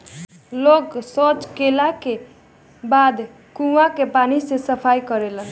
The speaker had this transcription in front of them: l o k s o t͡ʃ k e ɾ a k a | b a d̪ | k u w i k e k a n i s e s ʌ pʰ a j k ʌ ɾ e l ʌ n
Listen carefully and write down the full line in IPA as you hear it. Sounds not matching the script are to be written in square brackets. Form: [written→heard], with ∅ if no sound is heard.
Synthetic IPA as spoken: l o k s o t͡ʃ k e [ɾ→l] a k [a→e] | b a d̪ | k u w [i→a] k e [k→p] a n i s e s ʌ pʰ a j k ʌ ɾ e l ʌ n